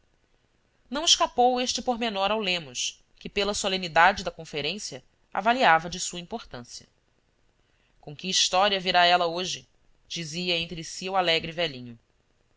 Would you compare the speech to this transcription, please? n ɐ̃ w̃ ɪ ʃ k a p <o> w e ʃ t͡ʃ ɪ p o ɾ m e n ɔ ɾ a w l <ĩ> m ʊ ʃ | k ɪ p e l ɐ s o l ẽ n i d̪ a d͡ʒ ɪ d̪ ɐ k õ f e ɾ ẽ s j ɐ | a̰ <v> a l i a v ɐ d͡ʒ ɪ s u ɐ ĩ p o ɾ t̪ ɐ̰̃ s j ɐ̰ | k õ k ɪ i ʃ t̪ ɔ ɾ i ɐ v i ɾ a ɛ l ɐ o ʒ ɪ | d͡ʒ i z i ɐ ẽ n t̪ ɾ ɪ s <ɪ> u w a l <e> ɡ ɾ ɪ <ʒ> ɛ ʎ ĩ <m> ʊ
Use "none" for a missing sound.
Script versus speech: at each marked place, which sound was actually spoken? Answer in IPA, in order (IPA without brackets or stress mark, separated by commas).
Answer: o, ẽ, v, i, ɛ, v, ɲ